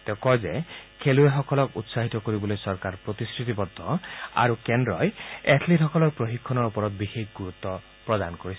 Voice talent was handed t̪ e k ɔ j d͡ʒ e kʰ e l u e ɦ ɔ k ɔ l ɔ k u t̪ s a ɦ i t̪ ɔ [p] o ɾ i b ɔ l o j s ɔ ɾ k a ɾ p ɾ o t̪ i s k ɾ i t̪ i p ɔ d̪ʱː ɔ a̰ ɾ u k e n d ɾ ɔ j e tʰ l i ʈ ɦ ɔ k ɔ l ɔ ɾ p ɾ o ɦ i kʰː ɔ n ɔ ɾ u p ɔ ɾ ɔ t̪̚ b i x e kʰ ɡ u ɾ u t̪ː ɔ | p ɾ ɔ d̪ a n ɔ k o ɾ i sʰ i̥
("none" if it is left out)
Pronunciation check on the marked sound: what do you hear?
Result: k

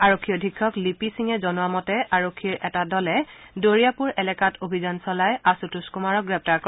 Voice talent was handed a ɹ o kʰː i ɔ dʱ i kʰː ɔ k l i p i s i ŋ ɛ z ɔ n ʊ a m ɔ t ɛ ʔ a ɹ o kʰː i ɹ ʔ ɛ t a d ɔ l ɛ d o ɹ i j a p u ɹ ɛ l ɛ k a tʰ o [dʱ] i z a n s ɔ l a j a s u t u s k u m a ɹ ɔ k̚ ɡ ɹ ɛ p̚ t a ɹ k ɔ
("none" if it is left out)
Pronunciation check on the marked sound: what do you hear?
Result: bʱ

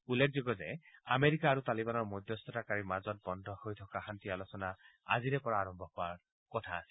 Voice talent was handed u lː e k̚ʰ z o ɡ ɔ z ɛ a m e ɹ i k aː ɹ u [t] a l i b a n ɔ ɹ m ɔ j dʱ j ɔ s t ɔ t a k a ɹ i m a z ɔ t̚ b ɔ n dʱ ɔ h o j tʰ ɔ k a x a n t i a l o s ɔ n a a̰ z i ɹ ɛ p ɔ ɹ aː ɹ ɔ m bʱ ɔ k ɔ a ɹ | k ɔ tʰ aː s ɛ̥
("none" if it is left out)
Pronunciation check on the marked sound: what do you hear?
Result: t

